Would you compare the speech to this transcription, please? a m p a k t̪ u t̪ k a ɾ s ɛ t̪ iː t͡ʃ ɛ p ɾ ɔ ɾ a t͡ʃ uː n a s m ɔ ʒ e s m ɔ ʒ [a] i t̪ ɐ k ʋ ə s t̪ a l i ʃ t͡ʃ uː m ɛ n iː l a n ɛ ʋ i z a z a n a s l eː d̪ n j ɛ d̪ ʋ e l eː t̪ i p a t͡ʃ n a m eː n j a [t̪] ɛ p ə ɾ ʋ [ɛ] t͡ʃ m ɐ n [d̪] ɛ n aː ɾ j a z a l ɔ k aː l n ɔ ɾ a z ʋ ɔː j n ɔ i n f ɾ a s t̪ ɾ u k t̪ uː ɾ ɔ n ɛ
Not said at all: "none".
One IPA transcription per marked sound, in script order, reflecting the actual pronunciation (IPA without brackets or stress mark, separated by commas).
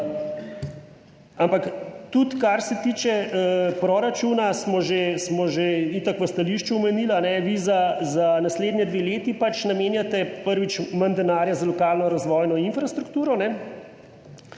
e, t̪, i, d̪